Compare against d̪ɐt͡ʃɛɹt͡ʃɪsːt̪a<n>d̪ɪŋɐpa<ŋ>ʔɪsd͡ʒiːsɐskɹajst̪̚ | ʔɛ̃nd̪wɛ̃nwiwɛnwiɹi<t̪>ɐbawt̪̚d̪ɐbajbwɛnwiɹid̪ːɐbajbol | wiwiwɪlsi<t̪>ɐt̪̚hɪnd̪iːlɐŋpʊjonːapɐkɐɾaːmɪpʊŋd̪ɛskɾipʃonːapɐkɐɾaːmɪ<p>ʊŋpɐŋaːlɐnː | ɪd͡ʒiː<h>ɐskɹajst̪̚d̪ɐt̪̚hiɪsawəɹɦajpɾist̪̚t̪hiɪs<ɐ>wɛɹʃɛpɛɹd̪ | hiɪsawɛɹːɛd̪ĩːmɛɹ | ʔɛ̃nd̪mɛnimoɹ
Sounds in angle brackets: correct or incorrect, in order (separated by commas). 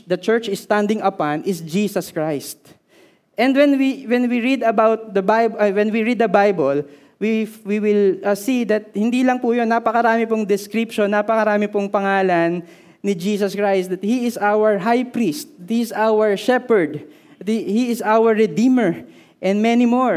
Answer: correct, incorrect, incorrect, incorrect, correct, incorrect, incorrect